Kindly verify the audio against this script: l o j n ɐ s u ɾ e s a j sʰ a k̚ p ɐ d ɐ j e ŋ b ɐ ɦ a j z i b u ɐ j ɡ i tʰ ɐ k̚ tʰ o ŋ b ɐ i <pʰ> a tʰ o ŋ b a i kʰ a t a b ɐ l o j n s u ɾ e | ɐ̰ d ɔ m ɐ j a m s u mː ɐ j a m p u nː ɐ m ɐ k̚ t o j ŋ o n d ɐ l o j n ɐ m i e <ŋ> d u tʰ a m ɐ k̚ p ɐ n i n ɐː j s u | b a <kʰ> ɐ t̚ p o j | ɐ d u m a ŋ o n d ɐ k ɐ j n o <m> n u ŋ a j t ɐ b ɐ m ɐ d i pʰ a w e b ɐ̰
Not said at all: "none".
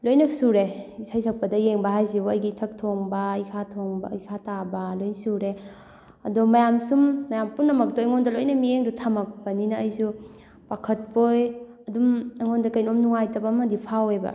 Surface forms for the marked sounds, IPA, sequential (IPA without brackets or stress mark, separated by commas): kʰ, ŋ, kʰ, m